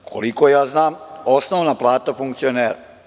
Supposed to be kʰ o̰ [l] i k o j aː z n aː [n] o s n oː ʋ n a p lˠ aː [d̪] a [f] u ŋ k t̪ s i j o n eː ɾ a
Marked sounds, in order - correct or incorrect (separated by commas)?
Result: correct, incorrect, incorrect, correct